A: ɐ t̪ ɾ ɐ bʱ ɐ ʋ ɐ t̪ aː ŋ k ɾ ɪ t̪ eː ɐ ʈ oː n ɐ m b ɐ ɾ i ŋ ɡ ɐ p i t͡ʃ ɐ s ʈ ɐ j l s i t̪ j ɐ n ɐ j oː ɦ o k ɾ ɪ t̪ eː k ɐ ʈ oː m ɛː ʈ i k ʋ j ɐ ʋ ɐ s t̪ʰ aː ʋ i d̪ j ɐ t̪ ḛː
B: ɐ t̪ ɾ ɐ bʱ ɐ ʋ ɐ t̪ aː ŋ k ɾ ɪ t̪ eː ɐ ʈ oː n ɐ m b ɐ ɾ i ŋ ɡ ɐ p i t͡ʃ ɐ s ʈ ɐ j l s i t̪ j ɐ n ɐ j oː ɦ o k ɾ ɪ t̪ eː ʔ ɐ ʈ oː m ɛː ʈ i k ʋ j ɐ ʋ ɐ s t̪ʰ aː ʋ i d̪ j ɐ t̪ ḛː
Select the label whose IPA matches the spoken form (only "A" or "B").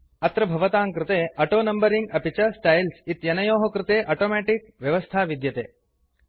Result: B